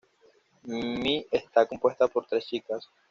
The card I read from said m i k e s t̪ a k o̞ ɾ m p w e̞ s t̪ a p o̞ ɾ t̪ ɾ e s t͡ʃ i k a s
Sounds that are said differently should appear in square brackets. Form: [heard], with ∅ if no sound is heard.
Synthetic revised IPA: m i [∅] e s t̪ a k o̞ [∅] m p w e̞ s t̪ a p o̞ ɾ t̪ ɾ e s t͡ʃ i k a s